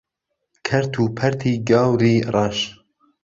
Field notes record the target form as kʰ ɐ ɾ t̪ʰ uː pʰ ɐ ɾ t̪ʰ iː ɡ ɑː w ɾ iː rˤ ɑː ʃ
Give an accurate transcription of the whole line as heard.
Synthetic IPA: kʰ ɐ ɾ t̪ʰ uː pʰ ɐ ɾ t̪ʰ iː ɡ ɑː w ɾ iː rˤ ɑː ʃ